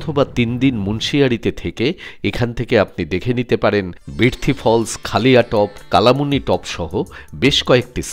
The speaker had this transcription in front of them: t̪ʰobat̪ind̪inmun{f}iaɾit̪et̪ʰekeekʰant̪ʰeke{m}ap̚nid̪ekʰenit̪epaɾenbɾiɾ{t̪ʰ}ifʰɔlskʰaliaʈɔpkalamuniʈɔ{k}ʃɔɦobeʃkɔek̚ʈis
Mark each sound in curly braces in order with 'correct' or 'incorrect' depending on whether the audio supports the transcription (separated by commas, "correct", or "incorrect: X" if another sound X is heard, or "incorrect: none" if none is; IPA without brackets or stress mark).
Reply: incorrect: ʃ, incorrect: none, correct, incorrect: p